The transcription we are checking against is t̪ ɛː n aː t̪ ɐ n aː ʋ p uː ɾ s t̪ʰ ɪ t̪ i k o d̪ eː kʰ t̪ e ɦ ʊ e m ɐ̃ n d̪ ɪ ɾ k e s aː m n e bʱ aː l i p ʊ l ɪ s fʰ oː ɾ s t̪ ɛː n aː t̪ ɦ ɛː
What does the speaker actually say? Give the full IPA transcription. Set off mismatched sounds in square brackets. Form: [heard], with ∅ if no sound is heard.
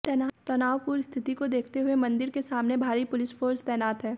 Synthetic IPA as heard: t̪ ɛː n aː t̪ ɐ n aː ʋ p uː ɾ s t̪ʰ ɪ t̪ i k o d̪ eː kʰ t̪ e ɦ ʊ e m ɐ̃ n d̪ ɪ ɾ k e s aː m n e bʱ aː [ɾ] i p ʊ l ɪ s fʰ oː ɾ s t̪ ɛː n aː t̪ ɦ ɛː